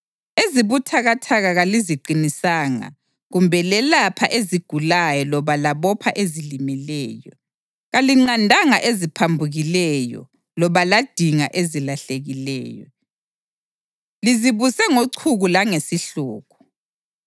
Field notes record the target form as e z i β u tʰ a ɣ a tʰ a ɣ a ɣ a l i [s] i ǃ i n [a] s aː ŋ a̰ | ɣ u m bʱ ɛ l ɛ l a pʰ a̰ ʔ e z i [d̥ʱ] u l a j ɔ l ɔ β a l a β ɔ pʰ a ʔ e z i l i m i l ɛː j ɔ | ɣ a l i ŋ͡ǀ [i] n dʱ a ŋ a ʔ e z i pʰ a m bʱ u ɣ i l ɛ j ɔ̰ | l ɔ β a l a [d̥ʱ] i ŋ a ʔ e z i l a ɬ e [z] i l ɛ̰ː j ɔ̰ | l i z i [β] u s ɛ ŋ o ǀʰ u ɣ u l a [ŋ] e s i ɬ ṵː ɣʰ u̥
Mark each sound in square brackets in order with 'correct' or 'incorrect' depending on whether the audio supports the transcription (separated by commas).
incorrect, incorrect, incorrect, incorrect, correct, incorrect, correct, correct